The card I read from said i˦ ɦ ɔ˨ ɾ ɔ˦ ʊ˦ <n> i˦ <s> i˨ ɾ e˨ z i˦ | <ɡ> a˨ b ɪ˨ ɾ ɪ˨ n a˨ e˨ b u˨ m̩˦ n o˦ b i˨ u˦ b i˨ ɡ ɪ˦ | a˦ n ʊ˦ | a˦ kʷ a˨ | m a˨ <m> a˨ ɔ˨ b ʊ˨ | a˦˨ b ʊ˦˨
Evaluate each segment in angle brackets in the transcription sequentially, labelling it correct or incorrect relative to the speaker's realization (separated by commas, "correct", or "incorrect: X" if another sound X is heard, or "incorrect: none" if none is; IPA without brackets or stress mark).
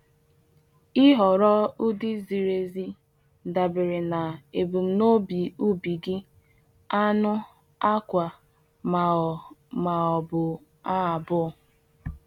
incorrect: d, incorrect: z, incorrect: d, correct